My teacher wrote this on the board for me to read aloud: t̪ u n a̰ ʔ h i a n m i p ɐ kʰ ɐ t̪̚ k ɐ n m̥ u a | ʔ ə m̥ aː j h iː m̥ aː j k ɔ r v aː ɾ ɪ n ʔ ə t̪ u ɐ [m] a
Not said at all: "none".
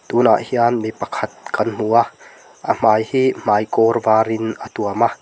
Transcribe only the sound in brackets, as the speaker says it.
m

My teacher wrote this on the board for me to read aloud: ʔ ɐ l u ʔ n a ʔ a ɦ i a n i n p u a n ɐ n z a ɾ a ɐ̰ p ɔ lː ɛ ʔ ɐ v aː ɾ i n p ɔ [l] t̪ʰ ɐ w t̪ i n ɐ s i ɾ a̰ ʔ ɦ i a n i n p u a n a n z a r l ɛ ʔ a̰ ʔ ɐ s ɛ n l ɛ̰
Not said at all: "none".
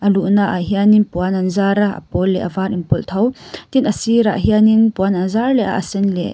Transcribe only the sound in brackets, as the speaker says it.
l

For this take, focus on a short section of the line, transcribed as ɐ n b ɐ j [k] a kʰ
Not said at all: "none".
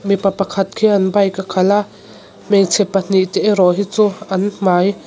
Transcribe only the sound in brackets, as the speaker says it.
k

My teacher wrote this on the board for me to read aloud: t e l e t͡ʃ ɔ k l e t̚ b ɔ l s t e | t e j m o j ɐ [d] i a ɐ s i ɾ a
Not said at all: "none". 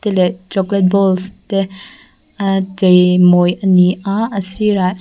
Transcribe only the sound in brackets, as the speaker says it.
n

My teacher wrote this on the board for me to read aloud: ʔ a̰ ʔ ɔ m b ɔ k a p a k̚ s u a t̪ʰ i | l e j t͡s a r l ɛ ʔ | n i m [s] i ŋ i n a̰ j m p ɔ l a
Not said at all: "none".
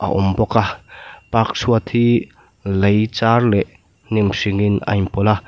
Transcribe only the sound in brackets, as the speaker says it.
s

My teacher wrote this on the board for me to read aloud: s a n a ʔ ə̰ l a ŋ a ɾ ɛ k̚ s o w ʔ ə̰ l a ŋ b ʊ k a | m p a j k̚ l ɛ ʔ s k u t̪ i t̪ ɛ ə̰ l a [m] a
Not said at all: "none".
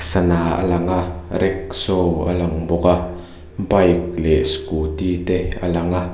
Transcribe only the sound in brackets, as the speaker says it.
ŋ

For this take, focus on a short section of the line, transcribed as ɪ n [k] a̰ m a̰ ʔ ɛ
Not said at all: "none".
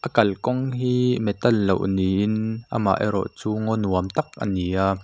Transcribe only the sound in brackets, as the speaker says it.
ʔ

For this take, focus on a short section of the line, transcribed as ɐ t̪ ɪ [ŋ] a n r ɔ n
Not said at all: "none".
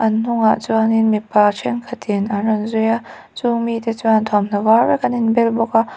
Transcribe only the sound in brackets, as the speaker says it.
n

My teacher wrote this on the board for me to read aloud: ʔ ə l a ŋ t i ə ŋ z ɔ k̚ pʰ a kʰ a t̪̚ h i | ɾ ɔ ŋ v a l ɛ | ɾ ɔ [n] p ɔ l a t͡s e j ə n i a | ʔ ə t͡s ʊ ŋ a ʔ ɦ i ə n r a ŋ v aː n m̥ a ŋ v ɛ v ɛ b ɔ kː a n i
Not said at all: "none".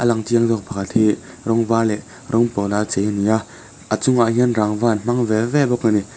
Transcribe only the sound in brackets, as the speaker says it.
ŋ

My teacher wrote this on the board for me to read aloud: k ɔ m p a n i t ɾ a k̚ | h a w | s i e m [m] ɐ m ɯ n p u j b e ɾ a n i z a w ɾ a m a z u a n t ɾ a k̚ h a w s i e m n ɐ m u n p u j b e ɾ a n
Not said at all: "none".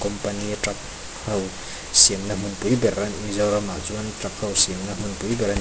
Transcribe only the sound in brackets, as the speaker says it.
n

